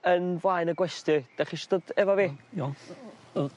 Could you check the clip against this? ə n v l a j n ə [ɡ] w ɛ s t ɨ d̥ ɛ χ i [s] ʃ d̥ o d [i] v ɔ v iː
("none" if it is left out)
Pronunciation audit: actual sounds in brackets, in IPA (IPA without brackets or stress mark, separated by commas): ɡ, none, ɛ